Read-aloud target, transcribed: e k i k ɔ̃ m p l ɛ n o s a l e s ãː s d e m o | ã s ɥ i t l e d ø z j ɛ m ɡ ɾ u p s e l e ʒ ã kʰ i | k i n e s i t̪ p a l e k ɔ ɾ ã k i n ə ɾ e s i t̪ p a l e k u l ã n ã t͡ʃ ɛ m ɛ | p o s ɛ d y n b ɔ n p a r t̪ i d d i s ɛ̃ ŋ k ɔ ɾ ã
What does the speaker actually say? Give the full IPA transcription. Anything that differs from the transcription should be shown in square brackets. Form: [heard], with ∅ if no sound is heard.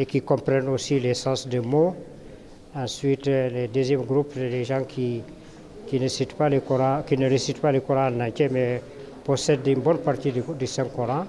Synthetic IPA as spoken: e k i k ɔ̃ m p [ɾ] ɛ n o s [i] l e s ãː s d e m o | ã s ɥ i t l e d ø z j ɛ m ɡ ɾ u p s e l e ʒ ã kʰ i | k i n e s i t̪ p a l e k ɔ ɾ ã k i n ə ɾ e s i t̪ p a l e k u [ɾ] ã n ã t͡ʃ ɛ m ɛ | p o s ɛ d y n b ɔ n p a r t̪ i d d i s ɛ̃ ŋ k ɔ ɾ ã